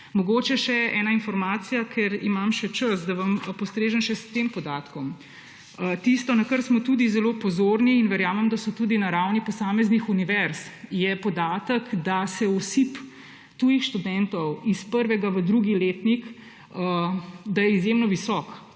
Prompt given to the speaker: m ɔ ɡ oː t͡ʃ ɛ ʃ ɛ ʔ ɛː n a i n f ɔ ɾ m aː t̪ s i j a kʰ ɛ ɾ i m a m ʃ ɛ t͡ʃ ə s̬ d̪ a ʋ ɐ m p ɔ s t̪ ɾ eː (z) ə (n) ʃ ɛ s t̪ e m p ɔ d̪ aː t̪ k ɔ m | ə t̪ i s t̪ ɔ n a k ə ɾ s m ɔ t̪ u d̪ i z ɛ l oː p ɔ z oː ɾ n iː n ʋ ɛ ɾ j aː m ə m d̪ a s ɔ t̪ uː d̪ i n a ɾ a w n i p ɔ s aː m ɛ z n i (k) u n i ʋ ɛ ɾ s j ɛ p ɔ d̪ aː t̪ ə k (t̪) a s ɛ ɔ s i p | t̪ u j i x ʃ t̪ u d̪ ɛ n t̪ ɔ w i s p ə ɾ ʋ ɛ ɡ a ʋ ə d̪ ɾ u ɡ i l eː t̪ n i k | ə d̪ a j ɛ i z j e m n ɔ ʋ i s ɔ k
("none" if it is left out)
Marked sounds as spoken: ʒ, n, x, d̪

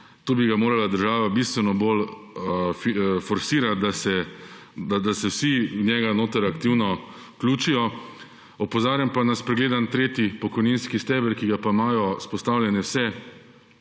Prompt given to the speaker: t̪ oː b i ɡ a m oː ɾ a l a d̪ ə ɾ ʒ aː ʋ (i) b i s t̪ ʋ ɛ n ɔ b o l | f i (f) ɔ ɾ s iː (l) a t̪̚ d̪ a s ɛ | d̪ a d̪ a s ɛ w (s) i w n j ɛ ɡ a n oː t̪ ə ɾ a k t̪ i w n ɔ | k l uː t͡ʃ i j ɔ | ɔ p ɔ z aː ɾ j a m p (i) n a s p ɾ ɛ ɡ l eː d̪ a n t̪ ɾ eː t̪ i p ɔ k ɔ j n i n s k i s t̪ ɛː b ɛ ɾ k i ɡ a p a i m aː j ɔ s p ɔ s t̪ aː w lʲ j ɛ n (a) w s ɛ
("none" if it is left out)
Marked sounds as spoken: a, f, ɾ, s, a, ɛ

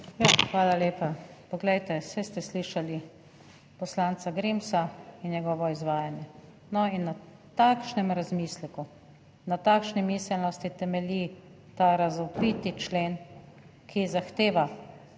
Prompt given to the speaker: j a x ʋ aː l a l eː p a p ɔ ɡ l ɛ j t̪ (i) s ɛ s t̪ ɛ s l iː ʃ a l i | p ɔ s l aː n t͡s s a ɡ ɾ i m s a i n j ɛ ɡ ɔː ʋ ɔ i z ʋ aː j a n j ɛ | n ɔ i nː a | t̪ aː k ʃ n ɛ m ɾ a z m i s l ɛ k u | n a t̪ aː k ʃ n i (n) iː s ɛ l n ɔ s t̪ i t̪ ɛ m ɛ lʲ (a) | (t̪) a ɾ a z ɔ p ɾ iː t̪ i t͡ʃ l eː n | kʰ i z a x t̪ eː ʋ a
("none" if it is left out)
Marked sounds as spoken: ɛ, m, i, t̪

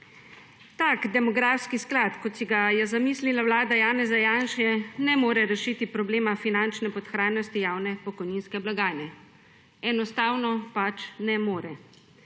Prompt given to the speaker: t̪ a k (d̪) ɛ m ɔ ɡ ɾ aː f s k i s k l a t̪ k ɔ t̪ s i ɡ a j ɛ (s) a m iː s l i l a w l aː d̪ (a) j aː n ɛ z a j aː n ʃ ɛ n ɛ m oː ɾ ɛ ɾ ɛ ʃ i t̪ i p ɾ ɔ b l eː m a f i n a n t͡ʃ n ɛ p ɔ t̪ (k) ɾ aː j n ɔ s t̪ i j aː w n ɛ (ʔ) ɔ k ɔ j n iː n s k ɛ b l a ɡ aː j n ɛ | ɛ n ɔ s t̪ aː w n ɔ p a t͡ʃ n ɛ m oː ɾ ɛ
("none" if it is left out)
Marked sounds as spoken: d̪, z, a, x, p

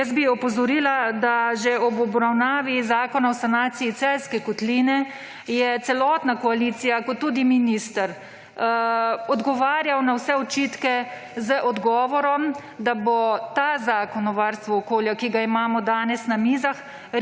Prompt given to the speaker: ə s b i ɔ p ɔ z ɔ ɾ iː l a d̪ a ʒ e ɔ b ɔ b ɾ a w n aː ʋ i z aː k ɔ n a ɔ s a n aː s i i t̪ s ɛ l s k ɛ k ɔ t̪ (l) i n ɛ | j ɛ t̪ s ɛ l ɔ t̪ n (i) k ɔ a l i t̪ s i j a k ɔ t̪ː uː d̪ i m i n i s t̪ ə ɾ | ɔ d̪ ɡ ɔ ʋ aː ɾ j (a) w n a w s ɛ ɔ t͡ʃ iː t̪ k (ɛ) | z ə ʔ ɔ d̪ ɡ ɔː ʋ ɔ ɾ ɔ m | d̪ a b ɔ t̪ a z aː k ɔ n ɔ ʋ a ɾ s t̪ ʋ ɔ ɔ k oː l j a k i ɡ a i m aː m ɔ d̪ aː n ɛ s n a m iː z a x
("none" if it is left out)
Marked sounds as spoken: l, a, a, ɛ

